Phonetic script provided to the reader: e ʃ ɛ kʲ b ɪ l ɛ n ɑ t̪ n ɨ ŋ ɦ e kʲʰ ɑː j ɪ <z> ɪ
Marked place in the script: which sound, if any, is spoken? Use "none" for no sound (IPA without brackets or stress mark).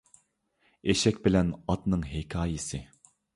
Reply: s